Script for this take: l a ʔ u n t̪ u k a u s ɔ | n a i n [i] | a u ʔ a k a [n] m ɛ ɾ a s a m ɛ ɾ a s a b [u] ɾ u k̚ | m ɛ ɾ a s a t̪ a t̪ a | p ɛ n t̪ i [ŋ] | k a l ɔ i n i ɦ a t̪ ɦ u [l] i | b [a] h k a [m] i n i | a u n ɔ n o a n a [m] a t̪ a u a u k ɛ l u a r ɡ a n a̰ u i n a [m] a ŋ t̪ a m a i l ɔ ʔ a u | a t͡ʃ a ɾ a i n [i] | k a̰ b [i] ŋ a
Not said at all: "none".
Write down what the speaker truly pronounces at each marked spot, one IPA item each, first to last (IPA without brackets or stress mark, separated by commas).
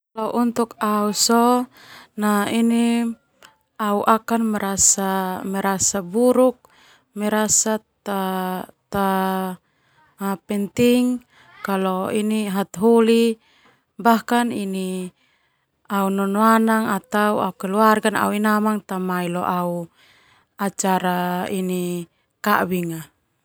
i, n, u, ŋ, l, a, n, ŋ, m, i, i